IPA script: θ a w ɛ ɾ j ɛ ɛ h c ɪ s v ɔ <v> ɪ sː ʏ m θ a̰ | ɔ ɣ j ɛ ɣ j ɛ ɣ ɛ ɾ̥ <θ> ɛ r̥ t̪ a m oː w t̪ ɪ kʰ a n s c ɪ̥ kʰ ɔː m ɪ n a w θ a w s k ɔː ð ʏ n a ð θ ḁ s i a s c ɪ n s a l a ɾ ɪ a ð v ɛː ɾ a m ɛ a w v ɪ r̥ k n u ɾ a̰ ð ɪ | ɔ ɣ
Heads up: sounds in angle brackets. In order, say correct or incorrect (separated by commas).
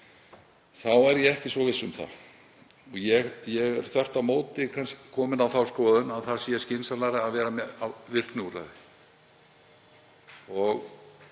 correct, correct